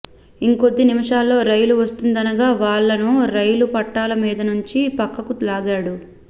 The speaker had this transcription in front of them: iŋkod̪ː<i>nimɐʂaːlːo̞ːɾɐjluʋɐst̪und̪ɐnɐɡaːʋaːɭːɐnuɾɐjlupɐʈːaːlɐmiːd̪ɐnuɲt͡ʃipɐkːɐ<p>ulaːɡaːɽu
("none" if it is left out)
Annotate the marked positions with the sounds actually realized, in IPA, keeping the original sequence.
i, k

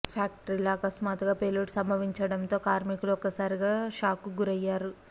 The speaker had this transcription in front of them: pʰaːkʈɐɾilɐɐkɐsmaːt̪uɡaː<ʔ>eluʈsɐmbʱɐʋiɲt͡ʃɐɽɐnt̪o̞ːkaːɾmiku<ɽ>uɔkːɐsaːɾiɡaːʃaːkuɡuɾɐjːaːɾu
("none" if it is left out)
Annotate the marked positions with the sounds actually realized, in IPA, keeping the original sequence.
p, l

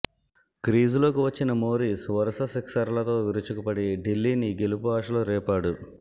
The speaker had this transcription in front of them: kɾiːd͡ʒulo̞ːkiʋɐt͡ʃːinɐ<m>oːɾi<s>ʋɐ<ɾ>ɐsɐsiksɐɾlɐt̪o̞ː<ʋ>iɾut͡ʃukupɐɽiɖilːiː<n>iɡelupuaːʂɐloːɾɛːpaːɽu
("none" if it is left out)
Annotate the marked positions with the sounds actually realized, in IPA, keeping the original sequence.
m, s, ɾ, ʋ, n

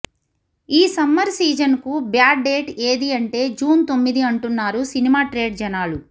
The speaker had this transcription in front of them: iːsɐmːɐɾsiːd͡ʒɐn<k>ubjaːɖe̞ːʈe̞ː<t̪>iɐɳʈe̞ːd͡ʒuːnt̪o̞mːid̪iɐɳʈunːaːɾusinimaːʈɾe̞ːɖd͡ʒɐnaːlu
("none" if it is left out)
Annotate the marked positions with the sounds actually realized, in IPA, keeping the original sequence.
k, d̪

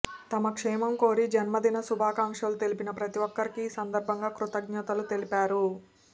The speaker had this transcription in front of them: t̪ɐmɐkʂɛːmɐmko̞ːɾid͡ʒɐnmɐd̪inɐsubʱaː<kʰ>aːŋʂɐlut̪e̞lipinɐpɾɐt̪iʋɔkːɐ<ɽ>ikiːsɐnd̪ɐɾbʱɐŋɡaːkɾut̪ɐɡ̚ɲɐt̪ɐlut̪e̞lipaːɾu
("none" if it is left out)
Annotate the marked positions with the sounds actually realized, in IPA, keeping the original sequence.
k, ɾ

